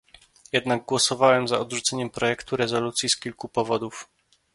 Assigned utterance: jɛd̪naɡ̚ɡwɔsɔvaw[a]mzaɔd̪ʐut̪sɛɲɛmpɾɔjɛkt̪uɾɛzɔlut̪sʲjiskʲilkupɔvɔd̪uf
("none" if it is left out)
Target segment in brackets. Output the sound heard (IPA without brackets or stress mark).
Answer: ɛ